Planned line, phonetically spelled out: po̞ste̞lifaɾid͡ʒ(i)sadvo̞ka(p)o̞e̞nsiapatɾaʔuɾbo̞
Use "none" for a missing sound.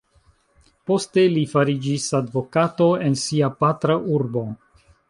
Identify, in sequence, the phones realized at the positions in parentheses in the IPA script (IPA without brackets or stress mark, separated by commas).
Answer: i, t